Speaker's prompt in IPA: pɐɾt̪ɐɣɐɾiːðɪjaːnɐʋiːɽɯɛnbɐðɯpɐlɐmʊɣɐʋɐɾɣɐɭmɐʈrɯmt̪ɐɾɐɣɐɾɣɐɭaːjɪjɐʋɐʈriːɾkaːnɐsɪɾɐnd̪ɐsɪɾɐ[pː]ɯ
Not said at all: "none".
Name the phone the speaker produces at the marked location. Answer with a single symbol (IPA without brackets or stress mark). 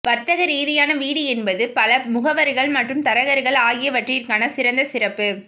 pː